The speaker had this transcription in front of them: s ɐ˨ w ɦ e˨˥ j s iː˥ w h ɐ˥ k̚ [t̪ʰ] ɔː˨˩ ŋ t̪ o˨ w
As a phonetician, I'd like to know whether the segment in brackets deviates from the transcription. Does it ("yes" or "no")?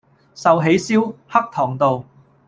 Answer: no